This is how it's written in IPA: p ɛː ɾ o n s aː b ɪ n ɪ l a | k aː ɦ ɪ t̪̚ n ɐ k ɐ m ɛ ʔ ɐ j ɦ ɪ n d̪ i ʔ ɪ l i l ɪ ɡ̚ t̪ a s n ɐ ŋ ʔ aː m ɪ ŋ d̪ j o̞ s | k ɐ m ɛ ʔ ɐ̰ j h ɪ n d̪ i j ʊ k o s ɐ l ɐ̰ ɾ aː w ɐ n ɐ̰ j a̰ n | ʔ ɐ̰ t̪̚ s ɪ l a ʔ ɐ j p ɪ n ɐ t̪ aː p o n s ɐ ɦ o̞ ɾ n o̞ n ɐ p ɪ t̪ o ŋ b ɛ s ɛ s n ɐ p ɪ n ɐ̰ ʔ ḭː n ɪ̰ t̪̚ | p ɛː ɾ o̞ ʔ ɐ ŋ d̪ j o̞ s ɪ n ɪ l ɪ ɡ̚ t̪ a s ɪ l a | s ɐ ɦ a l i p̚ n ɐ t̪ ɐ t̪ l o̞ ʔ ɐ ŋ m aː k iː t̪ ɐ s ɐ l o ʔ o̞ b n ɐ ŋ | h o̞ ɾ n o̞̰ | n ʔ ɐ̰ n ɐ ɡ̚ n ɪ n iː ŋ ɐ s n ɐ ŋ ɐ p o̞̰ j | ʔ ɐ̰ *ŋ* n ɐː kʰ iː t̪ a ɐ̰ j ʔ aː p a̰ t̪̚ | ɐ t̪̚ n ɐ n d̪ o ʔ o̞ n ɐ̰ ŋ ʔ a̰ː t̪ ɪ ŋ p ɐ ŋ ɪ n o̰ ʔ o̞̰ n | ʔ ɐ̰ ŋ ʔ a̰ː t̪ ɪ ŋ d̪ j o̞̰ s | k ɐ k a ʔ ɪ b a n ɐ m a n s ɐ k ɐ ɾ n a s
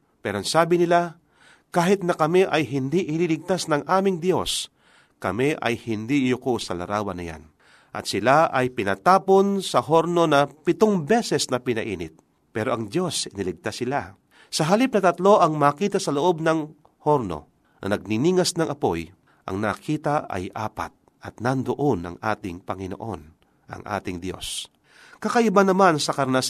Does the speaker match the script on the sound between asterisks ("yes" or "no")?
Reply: yes